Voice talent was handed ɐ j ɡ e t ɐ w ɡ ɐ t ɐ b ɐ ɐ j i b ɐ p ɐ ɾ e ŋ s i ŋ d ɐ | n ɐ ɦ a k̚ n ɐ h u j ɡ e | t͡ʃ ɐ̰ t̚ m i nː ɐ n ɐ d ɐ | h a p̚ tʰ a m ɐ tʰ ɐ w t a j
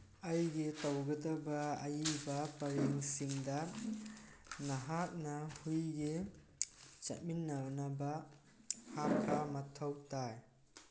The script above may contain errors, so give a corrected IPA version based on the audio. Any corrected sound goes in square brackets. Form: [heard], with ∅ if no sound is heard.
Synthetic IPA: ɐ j ɡ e t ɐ w ɡ ɐ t ɐ b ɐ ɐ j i b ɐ p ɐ ɾ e ŋ s i ŋ d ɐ | n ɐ ɦ a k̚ n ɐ h u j ɡ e | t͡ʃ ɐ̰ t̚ m i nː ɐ n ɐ [b] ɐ | h a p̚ [kʰ] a m ɐ tʰ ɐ w t a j